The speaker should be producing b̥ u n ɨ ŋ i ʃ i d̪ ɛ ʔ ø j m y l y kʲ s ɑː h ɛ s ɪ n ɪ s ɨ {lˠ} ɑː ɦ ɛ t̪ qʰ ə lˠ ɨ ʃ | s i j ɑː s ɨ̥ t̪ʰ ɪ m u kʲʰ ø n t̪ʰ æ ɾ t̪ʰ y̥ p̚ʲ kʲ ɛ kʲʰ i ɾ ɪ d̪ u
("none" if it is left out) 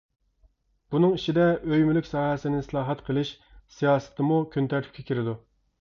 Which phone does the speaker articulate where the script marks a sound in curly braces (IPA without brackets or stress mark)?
lˠ